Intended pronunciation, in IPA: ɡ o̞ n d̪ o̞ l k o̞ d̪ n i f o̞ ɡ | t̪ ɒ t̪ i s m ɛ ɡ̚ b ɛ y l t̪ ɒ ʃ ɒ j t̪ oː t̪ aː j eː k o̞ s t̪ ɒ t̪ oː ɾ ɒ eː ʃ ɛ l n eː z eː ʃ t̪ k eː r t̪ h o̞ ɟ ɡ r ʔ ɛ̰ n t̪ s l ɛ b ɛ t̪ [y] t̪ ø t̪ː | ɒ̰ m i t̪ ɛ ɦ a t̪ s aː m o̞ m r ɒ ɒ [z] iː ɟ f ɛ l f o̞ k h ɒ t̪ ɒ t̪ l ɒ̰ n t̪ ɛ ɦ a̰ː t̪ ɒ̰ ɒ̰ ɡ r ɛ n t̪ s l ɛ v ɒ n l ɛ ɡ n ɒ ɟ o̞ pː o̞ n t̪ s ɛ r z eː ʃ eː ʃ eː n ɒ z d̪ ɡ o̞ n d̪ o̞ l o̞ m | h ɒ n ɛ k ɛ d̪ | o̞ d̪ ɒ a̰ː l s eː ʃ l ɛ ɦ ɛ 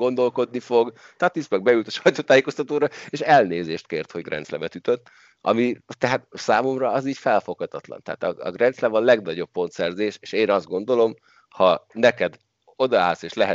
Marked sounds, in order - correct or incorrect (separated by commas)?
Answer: correct, correct